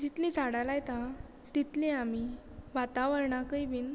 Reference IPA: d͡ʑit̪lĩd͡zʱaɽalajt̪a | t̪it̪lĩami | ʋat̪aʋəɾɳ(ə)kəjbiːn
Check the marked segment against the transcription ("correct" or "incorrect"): incorrect